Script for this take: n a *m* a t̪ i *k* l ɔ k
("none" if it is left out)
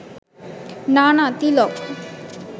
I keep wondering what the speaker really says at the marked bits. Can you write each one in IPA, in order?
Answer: n, none

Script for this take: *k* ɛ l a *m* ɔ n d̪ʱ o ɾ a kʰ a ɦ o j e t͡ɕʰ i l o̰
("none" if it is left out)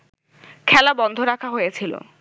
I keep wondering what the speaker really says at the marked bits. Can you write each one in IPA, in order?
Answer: kʰ, b

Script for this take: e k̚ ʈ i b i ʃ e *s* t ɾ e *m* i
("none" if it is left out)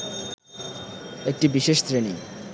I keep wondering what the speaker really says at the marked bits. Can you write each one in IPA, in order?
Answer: ʃ, n

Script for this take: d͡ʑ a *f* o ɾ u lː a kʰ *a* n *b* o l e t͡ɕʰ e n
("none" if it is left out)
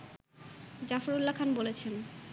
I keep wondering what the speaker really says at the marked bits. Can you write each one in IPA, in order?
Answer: f, a, b

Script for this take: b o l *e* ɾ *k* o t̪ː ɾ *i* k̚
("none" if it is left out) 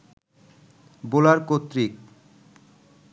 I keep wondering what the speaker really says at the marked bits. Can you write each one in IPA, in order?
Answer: a, k, i

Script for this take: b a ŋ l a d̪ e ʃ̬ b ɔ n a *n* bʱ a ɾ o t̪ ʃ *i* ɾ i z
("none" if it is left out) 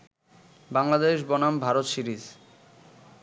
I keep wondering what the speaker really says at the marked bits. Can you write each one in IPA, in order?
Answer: m, i

